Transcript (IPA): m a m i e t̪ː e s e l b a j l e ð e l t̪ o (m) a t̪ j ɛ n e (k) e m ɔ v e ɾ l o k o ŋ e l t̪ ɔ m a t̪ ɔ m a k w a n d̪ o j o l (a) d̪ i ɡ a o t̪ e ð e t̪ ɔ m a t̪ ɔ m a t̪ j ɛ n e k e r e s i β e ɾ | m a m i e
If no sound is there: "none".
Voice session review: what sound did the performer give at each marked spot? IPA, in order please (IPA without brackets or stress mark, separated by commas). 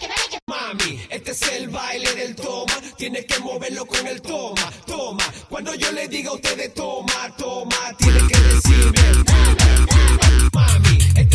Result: m, k, e